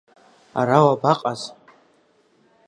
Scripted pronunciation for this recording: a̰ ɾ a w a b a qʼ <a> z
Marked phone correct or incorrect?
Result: correct